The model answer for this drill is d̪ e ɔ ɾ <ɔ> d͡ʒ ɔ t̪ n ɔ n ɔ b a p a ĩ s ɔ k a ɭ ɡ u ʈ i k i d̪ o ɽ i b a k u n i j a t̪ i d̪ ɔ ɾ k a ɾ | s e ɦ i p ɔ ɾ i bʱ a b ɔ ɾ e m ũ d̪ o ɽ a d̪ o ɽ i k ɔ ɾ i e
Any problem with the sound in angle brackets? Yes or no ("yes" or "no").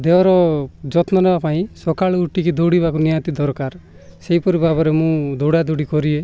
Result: no